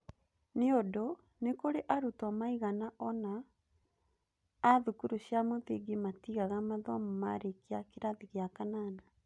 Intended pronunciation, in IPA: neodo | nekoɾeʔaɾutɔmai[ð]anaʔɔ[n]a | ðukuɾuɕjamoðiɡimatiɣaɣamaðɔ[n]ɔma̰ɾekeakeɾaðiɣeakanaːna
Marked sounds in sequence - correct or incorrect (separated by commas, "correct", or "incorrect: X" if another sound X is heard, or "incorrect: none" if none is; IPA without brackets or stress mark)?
incorrect: ɣ, correct, incorrect: m